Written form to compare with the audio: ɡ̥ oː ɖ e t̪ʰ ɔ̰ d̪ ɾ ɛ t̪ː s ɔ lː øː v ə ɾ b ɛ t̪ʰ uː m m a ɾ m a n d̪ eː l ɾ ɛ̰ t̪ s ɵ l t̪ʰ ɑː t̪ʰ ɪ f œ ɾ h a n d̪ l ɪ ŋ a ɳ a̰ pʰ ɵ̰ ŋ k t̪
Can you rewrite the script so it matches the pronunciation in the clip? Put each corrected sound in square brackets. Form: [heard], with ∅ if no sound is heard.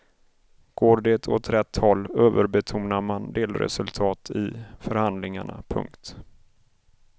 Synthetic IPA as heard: ɡ̥ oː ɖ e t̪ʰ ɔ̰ [t̪] ɾ ɛ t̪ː [h] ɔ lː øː v ə ɾ b ɛ t̪ʰ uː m [n] a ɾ m a n d̪ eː l ɾ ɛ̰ [∅] s ɵ l t̪ʰ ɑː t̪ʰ ɪ f œ ɾ h a n d̪ l ɪ ŋ a ɳ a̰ pʰ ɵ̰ ŋ k t̪